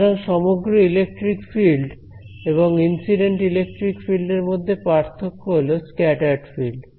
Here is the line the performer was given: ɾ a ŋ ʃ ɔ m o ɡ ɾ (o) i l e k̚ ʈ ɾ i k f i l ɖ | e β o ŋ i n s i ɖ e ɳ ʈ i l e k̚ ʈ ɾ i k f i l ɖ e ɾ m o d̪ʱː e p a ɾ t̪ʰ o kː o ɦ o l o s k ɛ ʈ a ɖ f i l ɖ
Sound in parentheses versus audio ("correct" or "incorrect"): correct